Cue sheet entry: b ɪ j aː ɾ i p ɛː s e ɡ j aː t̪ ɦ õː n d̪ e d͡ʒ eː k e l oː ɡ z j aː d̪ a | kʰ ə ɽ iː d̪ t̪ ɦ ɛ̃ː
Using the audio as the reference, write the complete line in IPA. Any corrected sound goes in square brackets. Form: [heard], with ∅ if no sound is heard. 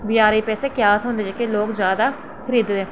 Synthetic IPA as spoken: b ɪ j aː ɾ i p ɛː s e [k] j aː t̪ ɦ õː n d̪ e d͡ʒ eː k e l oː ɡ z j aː d̪ a | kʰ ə [ɾ] iː d̪ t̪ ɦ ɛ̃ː